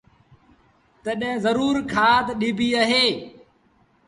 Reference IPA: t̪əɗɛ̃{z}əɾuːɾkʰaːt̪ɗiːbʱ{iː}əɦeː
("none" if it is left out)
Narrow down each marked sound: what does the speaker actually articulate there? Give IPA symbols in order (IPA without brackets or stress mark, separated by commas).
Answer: z, iː